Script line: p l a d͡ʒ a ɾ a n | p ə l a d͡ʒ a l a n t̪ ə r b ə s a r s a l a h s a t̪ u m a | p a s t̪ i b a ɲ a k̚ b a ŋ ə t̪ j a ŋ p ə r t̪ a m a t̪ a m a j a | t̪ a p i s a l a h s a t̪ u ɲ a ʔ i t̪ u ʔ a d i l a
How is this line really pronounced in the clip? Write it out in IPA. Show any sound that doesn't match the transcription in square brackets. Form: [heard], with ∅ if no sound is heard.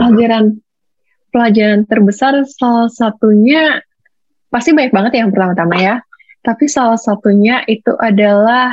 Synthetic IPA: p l a d͡ʒ a ɾ a n | p ə l a d͡ʒ a [ɾ] a n t̪ ə r b ə s a r s a l a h s a t̪ u [ɲ] a | p a s t̪ i b a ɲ a k̚ b a ŋ ə t̪ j a ŋ p ə r t̪ a m a t̪ a m a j a | t̪ a p i s a l a h s a t̪ u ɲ a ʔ i t̪ u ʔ a d [a] l a